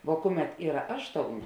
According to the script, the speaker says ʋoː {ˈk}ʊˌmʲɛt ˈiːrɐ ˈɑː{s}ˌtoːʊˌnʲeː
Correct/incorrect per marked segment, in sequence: correct, incorrect: ʃ

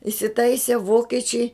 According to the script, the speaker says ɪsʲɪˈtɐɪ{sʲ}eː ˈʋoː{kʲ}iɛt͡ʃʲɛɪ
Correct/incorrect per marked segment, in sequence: correct, correct

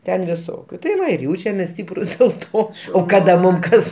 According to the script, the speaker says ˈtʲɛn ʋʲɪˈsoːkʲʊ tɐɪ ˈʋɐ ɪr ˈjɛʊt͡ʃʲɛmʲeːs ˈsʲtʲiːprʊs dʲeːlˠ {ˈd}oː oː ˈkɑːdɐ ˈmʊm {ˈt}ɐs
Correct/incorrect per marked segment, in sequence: incorrect: t, incorrect: k

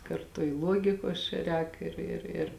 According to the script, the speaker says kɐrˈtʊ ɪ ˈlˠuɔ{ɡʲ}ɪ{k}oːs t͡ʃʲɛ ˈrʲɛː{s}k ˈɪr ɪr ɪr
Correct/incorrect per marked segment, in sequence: correct, correct, incorrect: none

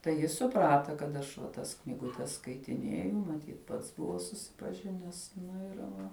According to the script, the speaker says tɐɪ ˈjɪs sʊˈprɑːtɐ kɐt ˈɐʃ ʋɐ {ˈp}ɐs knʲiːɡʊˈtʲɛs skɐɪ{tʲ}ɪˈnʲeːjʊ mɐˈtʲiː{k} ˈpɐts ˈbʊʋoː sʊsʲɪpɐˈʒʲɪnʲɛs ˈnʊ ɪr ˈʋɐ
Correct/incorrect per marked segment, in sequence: incorrect: t, correct, incorrect: t

